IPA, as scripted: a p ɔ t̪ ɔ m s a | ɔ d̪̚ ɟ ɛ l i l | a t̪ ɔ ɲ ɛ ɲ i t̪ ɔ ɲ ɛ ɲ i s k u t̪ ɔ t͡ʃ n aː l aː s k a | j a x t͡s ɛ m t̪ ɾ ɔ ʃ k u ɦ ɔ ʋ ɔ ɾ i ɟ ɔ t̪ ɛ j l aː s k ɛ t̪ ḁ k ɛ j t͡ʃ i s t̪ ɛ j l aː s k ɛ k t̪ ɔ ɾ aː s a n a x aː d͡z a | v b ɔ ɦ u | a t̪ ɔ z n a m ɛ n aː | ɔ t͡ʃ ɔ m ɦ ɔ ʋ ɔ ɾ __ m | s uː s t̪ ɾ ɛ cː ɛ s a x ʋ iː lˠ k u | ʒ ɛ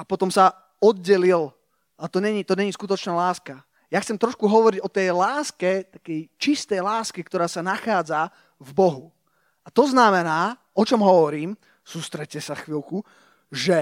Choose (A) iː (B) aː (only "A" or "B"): A